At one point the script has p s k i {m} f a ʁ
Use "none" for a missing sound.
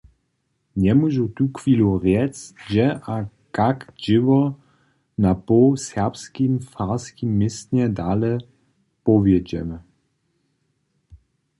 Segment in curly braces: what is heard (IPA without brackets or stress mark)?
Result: m